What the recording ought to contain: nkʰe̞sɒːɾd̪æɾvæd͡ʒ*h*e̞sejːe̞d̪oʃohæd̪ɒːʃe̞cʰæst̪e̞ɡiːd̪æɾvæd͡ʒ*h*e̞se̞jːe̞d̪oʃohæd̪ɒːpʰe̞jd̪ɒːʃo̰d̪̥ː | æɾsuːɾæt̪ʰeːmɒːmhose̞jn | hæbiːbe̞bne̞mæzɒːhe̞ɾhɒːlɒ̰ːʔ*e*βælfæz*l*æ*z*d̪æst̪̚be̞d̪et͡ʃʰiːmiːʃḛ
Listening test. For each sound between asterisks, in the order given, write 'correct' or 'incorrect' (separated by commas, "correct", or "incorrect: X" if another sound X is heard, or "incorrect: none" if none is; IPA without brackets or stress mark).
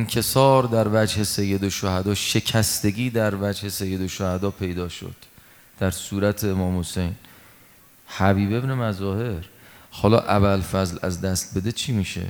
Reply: correct, correct, incorrect: æ, correct, correct